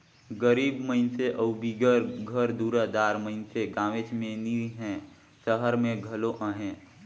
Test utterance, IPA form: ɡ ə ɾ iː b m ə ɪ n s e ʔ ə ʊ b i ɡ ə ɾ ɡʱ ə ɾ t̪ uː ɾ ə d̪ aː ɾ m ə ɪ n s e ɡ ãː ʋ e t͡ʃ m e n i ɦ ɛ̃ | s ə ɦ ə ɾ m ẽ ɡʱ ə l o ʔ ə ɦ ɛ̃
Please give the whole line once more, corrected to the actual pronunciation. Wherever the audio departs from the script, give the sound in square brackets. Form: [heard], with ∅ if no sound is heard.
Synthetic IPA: ɡ ə ɾ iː b m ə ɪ n s e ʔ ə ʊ b i ɡ ə ɾ ɡʱ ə ɾ [d̪] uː ɾ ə d̪ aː ɾ m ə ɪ n s e ɡ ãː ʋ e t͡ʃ m e n i ɦ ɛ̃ | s ə ɦ ə ɾ m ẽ ɡʱ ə l o ʔ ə ɦ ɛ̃